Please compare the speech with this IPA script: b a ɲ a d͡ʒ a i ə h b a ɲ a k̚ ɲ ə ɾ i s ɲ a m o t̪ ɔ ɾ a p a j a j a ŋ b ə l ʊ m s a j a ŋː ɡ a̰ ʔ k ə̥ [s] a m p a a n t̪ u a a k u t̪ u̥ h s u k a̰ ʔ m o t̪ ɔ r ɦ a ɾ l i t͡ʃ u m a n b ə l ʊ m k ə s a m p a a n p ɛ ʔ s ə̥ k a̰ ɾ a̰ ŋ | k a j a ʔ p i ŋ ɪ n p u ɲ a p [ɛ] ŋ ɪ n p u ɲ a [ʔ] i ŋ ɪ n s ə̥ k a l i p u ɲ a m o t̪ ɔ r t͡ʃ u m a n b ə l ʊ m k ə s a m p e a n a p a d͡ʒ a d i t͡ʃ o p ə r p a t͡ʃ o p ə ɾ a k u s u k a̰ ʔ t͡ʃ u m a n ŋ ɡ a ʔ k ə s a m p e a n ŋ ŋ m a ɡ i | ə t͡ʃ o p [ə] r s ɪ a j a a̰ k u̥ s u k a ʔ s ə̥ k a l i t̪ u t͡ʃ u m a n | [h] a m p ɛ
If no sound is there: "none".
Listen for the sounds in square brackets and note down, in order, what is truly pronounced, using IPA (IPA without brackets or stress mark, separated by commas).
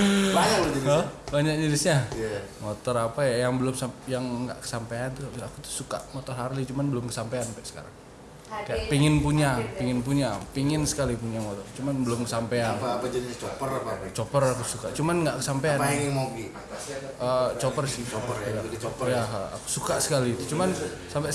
s, i, p, ə, s